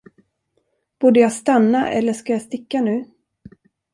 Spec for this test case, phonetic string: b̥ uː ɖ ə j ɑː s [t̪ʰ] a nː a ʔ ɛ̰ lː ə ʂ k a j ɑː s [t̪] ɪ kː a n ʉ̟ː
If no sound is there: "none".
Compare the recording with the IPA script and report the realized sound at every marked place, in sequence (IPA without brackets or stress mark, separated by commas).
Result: t̪, t̪